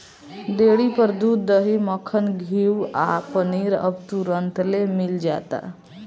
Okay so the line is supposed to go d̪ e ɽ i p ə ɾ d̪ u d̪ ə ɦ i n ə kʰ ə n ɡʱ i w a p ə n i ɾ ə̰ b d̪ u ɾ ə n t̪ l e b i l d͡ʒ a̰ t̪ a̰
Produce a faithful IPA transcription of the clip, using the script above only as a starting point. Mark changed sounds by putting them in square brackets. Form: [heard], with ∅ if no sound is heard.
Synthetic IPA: d̪ e ɽ i p ə ɾ d̪ u d̪ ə ɦ i [m] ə kʰ ə n ɡʱ i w a p ə n i ɾ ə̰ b [t̪] u ɾ ə n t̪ l e [m] i l d͡ʒ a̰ t̪ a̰

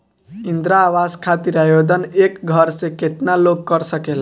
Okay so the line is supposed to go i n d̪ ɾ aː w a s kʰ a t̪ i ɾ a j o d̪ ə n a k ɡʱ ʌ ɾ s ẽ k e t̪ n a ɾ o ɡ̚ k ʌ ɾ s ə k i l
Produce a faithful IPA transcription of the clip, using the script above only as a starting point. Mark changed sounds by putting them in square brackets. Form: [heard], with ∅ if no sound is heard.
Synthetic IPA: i n d̪ ɾ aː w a s kʰ a t̪ i ɾ a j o d̪ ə n [e] k ɡʱ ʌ ɾ s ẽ k e t̪ n a [l] o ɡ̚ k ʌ ɾ s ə k [e] l

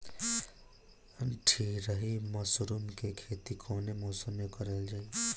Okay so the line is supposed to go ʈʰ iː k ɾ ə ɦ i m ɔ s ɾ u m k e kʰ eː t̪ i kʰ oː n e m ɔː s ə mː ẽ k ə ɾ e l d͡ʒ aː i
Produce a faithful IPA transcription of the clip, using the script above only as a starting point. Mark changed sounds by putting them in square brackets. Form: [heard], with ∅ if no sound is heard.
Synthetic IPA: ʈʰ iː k ɾ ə ɦ i m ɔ s ɾ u m k e kʰ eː t̪ i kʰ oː n e m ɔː s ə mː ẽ k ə ɾ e l d͡ʒ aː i

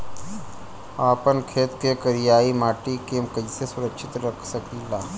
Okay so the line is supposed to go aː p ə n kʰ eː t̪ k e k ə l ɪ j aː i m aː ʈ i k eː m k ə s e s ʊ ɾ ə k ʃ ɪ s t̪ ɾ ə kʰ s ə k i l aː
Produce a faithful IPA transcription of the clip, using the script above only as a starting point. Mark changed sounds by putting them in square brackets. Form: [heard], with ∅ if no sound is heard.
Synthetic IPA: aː p ə n kʰ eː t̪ k e k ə [ɾ] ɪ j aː i m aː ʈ i k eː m k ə s e s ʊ ɾ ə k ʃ ɪ [∅] t̪ ɾ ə kʰ s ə k i l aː

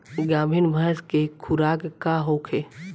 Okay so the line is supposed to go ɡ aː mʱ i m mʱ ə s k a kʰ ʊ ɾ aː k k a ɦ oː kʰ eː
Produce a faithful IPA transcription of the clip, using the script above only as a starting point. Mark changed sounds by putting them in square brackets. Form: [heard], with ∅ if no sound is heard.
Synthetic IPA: ɡ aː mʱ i [n] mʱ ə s k [e] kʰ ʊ ɾ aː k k a ɦ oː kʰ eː

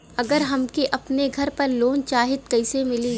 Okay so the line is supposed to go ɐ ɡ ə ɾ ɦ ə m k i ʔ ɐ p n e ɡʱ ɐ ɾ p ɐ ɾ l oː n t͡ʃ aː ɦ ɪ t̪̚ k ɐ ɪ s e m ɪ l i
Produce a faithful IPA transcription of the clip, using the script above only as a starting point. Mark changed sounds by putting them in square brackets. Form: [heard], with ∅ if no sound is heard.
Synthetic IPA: ɐ ɡ ə ɾ ɦ [ɐ] m k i ʔ ɐ p n e ɡʱ ɐ ɾ p ɐ ɾ l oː n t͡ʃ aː ɦ ɪ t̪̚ k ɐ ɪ s e m ɪ l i

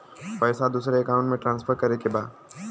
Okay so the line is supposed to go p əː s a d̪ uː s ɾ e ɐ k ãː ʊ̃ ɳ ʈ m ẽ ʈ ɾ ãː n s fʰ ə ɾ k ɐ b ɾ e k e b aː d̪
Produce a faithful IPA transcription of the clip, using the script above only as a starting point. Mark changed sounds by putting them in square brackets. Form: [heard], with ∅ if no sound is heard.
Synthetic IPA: p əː s a d̪ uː s ɾ e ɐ k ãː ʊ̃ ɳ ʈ m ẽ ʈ ɾ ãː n s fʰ ə ɾ k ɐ [∅] ɾ e k e b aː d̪

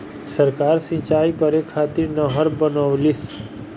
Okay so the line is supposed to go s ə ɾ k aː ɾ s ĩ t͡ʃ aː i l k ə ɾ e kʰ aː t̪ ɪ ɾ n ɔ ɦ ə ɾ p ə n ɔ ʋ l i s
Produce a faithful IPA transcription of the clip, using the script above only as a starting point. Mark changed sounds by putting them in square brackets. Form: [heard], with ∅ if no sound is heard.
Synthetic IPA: s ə ɾ k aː ɾ s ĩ t͡ʃ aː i [∅] k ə ɾ e kʰ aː t̪ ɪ ɾ n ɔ ɦ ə ɾ [b] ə n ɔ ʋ l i s

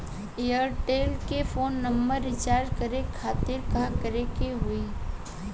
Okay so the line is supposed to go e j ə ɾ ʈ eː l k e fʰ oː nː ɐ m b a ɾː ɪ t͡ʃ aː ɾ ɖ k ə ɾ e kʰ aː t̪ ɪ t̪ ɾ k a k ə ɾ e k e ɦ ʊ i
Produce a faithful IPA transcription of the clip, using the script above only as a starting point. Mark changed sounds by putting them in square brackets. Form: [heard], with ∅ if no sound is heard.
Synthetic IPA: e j ə ɾ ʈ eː l k e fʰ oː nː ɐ m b [ə] ɾː ɪ t͡ʃ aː ɾ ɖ k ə ɾ e kʰ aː t̪ ɪ [∅] ɾ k a k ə ɾ e k e ɦ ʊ i

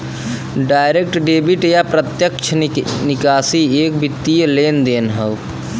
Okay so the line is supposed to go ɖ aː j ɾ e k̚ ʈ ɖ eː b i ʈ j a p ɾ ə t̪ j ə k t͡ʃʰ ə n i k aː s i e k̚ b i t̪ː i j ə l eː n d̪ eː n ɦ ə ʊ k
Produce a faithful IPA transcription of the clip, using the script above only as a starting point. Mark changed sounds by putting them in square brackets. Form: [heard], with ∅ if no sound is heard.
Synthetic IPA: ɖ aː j ɾ e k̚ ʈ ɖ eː b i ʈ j a p ɾ ə t̪ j ə k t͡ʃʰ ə n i k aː s i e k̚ b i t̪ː i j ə l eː n d̪ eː n ɦ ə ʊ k

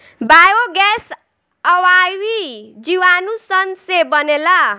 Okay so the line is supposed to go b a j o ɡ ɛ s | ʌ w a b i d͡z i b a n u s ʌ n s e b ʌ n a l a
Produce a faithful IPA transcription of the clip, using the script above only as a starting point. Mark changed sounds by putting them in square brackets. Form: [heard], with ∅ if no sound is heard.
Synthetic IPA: b a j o ɡ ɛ s | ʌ w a [w] i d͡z i [w] a n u s ʌ n s e b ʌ n [e] l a

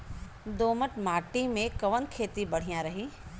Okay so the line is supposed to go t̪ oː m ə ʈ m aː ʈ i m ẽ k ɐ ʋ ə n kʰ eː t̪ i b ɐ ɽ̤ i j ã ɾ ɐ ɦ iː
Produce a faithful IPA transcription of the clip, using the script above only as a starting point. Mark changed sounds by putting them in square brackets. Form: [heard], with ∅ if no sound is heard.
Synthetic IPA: [d̪] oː m ə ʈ m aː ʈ i m ẽ k ɐ ʋ ə n kʰ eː t̪ i b ɐ ɽ̤ i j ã ɾ ɐ ɦ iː

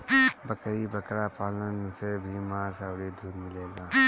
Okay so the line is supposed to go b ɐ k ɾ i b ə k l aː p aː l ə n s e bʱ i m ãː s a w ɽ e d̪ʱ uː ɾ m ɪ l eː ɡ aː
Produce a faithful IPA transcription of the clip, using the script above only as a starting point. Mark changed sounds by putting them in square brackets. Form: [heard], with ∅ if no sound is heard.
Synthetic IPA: b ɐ k ɾ i b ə k [ɾ] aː p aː l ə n s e bʱ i m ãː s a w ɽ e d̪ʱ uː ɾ m ɪ l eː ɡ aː

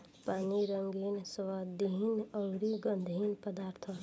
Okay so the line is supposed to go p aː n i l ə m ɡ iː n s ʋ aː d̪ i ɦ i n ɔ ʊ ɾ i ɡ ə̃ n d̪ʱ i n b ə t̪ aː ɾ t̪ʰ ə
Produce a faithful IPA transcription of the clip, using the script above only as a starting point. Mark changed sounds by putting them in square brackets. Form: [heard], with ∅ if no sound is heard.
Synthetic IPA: p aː n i [ɾ] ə [ŋ] ɡ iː n s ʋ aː d̪ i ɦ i n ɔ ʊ ɾ i ɡ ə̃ n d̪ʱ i n [p] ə [d̪] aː ɾ t̪ʰ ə

